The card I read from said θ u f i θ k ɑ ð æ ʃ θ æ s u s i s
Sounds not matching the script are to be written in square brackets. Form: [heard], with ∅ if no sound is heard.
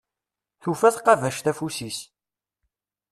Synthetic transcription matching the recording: θ u f [æ] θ [q] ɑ [v] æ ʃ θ æ [f] u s i s